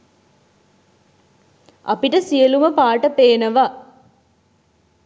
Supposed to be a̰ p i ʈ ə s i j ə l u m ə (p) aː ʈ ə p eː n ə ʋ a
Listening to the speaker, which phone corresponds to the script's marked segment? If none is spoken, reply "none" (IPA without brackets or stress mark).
p